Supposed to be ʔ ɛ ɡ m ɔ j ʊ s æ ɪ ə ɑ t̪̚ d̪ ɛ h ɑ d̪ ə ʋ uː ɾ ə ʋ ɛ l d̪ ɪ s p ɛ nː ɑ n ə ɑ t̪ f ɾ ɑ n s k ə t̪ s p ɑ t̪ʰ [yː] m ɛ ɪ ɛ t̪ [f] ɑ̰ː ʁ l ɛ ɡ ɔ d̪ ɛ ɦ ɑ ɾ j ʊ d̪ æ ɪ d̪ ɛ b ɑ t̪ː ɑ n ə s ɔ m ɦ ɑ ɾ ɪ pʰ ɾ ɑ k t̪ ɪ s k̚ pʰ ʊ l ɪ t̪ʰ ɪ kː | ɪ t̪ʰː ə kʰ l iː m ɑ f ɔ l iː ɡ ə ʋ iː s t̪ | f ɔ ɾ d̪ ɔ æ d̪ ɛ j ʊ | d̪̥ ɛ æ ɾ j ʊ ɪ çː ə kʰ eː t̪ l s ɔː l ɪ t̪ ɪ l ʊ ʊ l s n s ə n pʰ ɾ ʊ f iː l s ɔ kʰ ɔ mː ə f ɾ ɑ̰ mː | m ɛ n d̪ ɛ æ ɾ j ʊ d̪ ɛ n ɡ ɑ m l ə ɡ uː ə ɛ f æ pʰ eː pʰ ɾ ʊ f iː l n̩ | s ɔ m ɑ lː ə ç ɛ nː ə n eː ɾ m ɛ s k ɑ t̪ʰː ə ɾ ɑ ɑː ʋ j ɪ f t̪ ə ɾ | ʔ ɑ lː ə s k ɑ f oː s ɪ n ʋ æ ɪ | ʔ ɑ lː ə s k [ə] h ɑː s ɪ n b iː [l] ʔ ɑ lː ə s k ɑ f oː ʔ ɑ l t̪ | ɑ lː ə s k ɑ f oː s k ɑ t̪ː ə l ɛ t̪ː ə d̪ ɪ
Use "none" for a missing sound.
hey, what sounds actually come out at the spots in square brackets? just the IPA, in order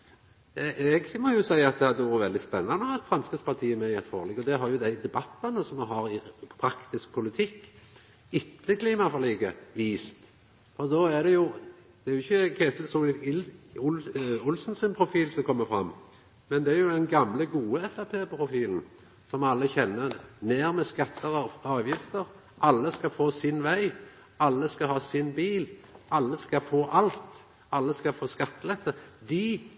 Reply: iː, f, ɑ, l

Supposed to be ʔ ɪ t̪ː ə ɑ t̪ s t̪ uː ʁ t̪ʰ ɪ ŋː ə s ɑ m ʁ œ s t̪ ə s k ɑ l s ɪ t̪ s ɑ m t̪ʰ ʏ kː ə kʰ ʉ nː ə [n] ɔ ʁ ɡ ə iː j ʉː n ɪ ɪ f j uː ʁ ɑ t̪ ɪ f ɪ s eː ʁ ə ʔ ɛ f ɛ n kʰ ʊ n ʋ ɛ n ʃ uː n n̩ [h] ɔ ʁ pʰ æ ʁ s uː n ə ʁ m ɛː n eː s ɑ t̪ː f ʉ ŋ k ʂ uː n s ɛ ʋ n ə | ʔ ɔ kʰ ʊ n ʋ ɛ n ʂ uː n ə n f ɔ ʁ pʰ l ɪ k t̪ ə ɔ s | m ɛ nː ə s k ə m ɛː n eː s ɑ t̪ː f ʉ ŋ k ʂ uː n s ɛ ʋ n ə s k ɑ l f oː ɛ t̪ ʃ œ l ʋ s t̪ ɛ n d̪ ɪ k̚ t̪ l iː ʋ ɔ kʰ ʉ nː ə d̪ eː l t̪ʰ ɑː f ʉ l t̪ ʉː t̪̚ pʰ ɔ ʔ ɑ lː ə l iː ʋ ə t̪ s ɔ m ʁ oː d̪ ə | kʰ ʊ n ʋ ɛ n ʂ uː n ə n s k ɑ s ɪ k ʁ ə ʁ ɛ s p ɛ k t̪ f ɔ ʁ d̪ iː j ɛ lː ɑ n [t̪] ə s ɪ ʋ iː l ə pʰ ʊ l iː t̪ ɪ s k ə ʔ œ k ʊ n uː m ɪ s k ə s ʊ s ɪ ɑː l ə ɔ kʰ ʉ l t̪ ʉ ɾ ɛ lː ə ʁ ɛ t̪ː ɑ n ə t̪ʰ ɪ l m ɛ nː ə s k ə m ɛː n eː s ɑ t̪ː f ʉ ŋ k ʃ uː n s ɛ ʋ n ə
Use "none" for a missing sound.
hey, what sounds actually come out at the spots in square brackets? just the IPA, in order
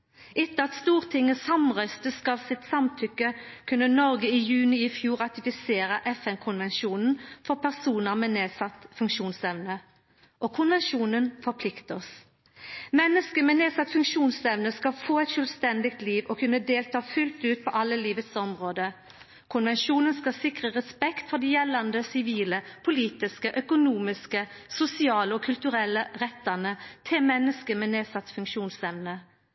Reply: n, f, d̪

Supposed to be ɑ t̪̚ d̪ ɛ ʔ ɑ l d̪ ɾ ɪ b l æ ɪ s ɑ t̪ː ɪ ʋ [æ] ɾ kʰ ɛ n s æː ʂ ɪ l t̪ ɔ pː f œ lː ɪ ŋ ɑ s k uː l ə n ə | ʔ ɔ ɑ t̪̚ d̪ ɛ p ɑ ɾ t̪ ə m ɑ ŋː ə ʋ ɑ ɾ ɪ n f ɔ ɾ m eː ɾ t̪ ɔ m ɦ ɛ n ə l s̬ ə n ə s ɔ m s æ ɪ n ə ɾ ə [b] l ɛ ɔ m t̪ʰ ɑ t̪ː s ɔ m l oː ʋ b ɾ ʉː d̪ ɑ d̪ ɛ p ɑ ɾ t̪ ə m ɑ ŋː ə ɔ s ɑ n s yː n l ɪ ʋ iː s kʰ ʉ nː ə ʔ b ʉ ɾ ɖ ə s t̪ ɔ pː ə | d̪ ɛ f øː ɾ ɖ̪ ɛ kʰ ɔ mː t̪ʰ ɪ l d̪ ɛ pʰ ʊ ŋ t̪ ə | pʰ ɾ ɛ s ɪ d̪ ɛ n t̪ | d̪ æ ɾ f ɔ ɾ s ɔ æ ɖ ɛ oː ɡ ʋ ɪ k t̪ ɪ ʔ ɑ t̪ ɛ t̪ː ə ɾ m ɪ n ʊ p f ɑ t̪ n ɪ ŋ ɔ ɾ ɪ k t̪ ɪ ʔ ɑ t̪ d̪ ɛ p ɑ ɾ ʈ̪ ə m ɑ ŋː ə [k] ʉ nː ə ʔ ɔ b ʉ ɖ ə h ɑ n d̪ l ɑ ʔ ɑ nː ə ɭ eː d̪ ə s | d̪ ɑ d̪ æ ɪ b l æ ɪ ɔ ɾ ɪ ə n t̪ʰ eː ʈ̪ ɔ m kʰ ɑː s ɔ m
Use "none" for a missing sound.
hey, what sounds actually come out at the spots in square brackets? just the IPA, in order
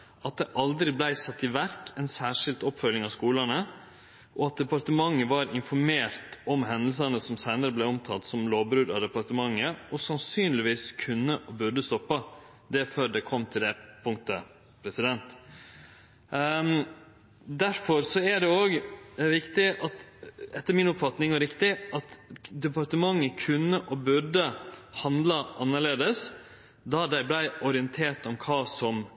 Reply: æ, b, kʰ

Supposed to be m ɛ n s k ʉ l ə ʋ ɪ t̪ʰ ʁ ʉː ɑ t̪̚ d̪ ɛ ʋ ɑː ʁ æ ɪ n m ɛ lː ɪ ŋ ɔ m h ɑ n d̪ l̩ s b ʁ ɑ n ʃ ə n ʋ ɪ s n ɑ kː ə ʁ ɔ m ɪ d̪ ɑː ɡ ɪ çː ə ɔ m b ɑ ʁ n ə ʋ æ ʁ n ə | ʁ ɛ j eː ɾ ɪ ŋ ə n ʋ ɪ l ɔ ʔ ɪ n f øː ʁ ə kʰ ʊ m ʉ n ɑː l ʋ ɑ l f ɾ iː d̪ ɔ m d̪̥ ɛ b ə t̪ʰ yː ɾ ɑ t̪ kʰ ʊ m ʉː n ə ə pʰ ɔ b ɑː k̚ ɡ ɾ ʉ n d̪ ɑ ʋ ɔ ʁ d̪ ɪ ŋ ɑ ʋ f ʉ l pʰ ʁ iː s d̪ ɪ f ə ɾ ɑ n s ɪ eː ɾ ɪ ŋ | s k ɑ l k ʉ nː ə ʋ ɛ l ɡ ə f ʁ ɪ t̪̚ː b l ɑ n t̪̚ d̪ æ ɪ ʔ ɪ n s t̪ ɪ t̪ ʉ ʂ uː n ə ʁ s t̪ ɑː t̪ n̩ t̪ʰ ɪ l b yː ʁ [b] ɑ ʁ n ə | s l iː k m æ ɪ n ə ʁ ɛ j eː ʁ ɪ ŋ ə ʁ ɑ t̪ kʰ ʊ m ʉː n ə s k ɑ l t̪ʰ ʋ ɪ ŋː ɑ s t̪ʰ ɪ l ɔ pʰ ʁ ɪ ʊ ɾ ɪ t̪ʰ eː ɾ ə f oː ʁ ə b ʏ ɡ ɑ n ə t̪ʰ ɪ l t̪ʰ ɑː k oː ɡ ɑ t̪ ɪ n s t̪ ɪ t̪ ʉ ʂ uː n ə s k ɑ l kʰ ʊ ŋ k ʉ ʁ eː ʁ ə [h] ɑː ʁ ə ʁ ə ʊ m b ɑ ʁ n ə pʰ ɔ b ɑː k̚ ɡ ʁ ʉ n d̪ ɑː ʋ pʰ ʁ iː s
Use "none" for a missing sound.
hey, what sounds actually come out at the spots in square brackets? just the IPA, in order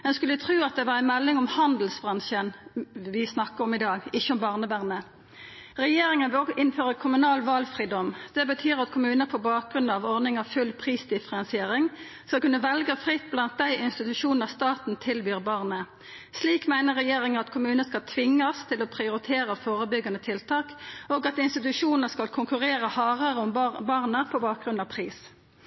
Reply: b, h

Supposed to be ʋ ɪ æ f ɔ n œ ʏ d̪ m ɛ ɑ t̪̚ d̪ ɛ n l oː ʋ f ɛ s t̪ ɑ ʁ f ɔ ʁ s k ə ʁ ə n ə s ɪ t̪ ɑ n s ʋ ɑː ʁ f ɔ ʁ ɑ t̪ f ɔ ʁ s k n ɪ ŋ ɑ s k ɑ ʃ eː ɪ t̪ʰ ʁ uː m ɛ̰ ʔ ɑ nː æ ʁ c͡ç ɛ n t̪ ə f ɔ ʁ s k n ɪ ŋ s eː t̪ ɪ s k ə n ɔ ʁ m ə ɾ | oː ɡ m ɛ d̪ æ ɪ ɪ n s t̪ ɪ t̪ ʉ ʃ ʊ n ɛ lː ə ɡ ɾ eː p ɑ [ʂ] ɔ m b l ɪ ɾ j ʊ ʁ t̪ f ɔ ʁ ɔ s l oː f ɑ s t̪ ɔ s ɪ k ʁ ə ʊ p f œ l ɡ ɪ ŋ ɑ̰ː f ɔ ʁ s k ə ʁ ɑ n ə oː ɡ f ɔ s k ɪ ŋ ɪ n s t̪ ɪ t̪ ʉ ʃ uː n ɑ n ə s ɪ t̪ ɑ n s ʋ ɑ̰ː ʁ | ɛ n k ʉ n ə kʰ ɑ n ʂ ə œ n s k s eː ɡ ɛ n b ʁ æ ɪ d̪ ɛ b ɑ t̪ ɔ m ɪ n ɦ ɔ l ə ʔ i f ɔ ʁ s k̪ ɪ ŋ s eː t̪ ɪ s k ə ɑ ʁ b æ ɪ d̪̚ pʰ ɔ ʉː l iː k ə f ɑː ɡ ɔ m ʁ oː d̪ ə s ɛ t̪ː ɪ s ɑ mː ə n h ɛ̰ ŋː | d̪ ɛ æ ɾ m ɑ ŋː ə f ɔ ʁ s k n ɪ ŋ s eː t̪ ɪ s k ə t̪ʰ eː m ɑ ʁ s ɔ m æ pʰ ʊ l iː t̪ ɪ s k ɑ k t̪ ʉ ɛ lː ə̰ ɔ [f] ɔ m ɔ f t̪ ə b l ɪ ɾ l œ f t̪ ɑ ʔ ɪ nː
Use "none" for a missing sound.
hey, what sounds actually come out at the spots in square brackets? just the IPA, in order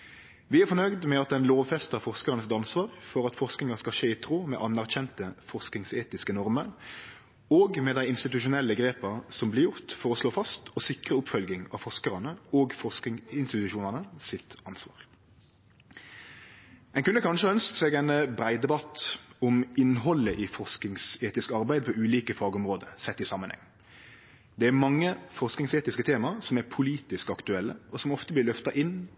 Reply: s, s

